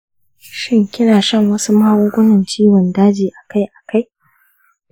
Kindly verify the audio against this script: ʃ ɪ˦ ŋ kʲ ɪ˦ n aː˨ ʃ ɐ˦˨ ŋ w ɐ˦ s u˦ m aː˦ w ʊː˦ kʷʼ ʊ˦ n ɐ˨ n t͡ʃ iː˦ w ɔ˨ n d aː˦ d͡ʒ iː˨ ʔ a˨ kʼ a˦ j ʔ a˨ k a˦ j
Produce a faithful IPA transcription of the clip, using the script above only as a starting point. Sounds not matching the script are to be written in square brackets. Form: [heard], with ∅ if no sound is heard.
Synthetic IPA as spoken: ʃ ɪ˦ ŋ kʲ ɪ˦ n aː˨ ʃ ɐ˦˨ ŋ w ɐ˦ s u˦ m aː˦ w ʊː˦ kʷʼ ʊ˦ n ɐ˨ n t͡ʃ iː˦ w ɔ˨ n d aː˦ d͡ʒ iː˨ ʔ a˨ [k] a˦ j ʔ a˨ k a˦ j

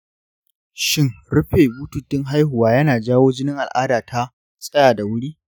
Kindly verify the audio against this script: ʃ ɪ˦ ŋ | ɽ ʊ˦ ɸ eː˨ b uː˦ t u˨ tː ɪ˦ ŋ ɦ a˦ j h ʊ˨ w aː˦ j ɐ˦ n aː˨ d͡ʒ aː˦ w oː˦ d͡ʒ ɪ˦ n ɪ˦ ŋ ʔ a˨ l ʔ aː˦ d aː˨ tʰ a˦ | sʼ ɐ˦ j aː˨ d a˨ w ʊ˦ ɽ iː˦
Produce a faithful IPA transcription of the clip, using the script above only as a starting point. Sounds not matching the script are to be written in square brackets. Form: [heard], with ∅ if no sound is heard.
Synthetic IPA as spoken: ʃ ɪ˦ ŋ | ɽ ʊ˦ ɸ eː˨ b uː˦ t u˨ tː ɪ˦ ŋ ɦ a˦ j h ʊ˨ w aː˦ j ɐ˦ n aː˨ d͡ʒ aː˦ w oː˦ d͡ʒ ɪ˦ n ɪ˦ ŋ ʔ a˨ l ʔ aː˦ d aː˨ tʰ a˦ | sʼ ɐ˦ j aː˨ d a˨ w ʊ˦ ɽ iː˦

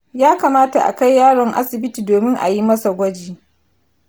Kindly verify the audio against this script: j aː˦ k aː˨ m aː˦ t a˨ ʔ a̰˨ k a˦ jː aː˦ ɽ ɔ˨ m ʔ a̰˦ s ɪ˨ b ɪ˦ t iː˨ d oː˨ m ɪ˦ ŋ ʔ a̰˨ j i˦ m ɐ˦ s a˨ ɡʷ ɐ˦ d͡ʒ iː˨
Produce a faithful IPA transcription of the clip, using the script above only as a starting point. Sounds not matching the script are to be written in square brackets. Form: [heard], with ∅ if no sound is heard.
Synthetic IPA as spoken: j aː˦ k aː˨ m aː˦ t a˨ ʔ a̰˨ k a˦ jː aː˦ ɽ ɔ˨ [ŋ] ʔ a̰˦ s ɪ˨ b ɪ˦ t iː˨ d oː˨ m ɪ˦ ŋ ʔ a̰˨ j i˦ m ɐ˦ s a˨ ɡʷ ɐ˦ d͡ʒ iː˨

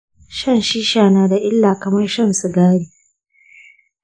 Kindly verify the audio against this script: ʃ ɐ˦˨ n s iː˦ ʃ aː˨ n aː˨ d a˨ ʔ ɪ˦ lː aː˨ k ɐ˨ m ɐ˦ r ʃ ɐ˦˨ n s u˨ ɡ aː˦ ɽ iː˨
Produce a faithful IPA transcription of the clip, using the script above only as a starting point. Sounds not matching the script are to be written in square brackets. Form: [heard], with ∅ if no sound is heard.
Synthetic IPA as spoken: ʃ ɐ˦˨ n [ʃ] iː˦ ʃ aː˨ n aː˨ d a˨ ʔ ɪ˦ lː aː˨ k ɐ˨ m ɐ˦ r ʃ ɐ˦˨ n s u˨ ɡ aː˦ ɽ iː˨

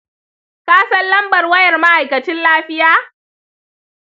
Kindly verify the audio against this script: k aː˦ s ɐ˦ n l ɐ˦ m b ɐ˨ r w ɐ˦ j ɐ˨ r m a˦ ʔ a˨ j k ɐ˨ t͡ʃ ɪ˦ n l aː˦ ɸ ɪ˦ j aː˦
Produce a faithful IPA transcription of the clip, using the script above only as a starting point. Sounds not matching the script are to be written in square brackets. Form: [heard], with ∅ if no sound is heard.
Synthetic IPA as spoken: k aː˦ s ɐ˦ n l ɐ˦ m b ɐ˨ r w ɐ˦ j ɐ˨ r m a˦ ʔ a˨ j k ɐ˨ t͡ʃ ɪ˦ n l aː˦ ɸ ɪ˦ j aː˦

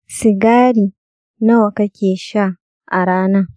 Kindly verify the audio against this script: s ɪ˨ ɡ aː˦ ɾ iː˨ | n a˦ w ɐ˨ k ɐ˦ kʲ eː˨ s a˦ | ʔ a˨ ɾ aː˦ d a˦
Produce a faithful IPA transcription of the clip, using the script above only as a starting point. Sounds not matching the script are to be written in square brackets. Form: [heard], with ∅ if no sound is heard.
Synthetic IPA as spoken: s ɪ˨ ɡ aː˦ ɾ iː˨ | n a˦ w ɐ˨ k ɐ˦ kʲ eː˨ [ʃ] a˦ | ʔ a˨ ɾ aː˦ [n] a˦

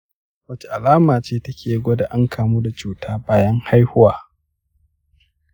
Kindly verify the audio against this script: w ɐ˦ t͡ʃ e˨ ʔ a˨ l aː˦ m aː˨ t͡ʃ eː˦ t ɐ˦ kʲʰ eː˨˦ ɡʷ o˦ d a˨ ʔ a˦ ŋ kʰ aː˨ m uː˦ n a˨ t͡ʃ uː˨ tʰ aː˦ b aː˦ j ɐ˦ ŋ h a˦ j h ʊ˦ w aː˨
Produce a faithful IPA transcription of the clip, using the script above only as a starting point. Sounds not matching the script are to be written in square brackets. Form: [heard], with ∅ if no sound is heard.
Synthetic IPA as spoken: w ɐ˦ t͡ʃ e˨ ʔ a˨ l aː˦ m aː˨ t͡ʃ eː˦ t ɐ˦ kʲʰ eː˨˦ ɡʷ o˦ d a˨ ʔ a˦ ŋ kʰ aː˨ m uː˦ [d] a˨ t͡ʃ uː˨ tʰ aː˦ b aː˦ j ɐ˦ ŋ h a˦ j h ʊ˦ w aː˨

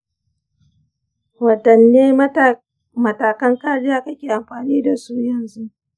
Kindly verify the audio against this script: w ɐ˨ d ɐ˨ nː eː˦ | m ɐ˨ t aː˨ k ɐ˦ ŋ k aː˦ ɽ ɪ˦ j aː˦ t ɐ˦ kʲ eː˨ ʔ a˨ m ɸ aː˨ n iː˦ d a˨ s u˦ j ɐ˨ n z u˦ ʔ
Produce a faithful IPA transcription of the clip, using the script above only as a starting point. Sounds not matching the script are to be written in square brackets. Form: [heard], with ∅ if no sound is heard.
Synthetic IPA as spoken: w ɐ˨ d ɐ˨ nː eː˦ | m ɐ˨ t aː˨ k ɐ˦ ŋ k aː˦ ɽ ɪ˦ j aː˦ [k] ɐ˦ kʲ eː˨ ʔ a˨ m ɸ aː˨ n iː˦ d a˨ s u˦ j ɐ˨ n z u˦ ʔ

